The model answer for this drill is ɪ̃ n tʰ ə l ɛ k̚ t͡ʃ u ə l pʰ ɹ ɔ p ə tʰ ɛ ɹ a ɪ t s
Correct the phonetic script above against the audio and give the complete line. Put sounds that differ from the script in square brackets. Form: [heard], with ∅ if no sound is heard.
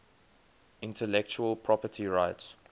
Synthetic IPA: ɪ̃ n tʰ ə l ɛ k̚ t͡ʃ u ə l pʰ ɹ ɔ p ə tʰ [i] ɹ a ɪ t s